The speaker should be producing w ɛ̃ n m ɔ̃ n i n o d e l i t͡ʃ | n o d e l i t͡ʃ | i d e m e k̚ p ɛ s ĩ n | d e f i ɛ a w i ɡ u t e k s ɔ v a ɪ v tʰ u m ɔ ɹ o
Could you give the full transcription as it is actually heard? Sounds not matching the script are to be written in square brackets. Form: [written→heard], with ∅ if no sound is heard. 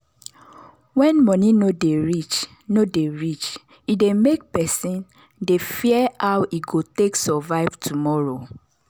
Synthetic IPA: w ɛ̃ n m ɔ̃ n i n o d e [l→ɹ] i t͡ʃ | n o d e [l→ɹ] i t͡ʃ | i d e m e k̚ p ɛ s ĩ n | d e f i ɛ a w i ɡ [u→o] t e k s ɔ v a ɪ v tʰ u m ɔ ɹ o